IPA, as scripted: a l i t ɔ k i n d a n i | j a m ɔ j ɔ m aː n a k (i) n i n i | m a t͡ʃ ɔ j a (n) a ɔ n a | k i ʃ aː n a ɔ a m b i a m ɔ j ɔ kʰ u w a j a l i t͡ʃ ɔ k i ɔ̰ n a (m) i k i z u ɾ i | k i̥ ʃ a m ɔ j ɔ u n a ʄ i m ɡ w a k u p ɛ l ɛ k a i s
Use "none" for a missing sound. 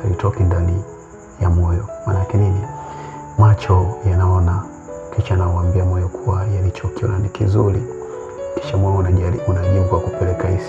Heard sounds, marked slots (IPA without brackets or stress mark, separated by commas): ɛ, n, n